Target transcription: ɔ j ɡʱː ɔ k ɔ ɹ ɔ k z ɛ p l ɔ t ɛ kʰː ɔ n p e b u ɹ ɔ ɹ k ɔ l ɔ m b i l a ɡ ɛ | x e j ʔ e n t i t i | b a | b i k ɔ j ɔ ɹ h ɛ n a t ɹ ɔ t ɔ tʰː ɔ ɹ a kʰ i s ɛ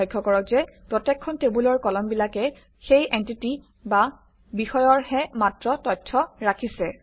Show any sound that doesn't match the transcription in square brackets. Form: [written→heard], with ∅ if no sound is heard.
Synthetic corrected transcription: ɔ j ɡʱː ɔ k ɔ ɹ ɔ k z ɛ p [l→ɹ] ɔ t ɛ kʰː ɔ n [p→t] e b u [ɹ→l] ɔ ɹ k ɔ l ɔ m b i l a [ɡ→k] ɛ | x e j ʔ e n t i t i | b a | b i [k→x] ɔ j ɔ ɹ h ɛ [n→m] a t ɹ ɔ t ɔ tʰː ɔ ɹ a kʰ i s ɛ